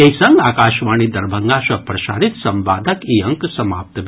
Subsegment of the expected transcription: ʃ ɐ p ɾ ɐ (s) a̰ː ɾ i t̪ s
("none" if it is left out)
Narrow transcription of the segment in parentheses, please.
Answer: ʃ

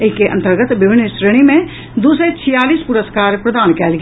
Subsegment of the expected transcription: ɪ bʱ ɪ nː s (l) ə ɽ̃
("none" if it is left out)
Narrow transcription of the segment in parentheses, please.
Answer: ɾ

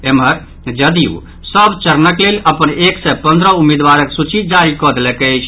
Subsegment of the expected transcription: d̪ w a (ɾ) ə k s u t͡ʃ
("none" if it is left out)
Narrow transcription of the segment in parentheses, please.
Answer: ɾ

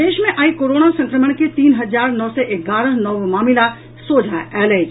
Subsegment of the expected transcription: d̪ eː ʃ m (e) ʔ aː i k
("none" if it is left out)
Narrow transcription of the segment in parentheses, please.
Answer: ẽ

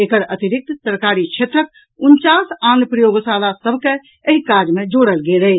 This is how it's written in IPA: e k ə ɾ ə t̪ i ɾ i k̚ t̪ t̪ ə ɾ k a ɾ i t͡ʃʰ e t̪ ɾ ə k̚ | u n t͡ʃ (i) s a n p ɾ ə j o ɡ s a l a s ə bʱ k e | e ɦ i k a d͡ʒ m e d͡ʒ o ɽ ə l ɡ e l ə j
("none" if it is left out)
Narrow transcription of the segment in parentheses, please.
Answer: a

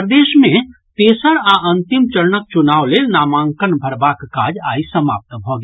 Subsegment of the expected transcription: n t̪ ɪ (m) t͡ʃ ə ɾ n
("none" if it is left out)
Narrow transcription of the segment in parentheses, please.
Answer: m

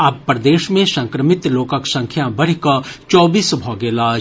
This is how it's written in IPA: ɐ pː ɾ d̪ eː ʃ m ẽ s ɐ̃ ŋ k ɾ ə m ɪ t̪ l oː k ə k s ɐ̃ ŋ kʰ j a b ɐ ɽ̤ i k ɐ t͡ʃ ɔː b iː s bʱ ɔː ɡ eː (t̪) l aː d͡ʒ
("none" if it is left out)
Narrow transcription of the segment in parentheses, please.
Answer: none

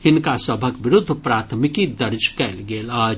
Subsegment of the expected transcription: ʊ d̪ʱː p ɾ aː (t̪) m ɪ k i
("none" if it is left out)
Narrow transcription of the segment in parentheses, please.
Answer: t̪ʰ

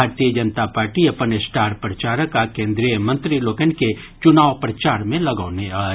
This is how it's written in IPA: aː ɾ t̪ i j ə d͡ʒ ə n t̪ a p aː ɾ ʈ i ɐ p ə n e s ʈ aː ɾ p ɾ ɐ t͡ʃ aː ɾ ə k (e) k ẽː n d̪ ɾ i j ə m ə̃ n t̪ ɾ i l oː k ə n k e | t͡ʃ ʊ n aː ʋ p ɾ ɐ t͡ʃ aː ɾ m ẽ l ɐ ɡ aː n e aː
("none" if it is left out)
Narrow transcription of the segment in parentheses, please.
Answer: a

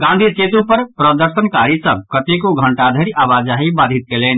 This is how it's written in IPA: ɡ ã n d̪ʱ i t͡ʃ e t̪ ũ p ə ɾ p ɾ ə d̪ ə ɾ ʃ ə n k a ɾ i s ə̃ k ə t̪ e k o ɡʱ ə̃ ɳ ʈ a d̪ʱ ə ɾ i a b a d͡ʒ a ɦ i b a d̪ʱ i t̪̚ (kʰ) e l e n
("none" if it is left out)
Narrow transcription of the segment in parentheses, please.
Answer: k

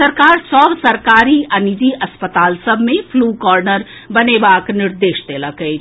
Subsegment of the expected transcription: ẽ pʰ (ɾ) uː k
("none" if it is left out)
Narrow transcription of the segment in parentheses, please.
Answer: l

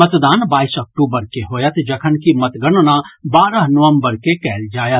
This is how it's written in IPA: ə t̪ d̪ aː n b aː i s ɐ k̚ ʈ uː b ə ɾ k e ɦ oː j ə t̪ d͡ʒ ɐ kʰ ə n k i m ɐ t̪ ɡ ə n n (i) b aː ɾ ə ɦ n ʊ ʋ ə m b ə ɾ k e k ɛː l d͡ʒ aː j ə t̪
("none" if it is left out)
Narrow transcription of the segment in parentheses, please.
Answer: a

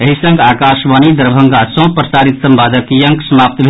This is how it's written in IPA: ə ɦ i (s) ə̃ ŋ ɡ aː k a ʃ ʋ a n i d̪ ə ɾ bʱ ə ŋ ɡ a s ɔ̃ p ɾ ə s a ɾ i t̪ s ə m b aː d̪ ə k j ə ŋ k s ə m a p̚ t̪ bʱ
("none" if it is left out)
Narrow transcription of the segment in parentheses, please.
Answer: s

